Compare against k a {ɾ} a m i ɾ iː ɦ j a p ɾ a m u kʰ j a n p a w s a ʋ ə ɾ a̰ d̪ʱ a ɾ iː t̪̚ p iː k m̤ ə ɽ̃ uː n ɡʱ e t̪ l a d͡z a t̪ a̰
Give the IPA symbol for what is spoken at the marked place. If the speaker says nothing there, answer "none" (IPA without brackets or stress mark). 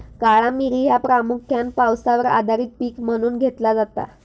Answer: ɭ